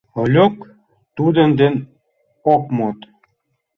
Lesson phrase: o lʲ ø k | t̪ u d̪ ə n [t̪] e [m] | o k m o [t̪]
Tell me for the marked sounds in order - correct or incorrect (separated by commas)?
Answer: incorrect, incorrect, correct